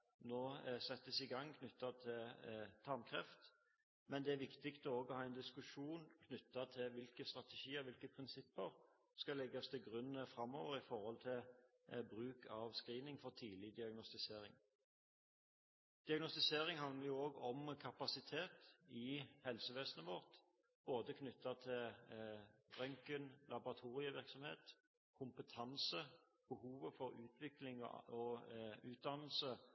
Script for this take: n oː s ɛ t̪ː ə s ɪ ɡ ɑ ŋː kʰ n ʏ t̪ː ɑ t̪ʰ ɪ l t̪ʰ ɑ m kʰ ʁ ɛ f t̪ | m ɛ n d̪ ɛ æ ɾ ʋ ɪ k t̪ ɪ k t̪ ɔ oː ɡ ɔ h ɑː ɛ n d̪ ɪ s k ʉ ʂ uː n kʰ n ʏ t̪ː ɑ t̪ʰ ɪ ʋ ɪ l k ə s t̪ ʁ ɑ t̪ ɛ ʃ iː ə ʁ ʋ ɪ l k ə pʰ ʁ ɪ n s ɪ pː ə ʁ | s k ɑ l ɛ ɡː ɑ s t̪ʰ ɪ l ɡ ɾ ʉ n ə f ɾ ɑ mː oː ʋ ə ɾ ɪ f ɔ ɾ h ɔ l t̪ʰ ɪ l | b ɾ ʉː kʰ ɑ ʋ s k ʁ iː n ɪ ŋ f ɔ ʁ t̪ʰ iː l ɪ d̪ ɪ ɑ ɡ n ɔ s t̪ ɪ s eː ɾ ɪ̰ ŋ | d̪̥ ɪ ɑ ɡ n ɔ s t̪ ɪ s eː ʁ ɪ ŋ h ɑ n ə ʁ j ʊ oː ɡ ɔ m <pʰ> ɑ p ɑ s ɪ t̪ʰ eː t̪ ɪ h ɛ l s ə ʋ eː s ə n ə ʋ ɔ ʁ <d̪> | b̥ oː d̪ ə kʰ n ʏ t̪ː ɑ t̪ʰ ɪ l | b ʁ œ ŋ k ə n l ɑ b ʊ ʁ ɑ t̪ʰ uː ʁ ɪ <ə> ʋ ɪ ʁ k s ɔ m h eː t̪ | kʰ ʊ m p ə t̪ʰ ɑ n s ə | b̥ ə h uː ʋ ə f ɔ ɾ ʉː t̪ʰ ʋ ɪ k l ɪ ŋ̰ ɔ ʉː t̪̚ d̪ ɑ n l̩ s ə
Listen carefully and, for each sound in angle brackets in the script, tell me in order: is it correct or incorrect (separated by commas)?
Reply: incorrect, incorrect, correct